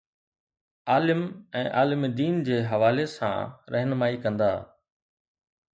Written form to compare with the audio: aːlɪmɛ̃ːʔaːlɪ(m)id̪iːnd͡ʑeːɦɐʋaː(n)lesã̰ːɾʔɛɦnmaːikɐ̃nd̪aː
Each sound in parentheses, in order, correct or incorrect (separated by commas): correct, incorrect